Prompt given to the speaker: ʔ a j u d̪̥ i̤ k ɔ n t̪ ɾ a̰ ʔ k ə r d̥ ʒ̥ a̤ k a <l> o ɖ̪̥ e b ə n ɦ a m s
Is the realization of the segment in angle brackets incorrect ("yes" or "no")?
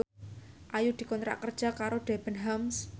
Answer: yes